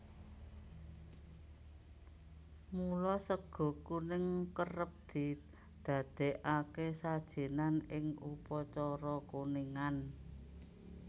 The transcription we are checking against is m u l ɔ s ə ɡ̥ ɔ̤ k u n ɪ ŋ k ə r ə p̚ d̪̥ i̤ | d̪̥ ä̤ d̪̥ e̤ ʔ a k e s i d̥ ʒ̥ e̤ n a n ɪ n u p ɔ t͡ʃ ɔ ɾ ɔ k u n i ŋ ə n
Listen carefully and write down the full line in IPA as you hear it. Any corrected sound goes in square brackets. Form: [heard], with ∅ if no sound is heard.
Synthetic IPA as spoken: m u l ɔ s ə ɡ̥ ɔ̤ k u n ɪ ŋ k ə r ə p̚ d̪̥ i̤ | d̪̥ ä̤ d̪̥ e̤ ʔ a k e s [a] d̥ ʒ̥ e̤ n a n ɪ [ŋ] u p ɔ t͡ʃ ɔ ɾ ɔ k u n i ŋ [a] n